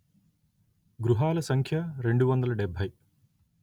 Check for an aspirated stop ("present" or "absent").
present